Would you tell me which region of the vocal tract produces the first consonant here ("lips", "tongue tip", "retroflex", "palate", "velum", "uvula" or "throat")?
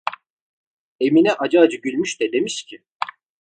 lips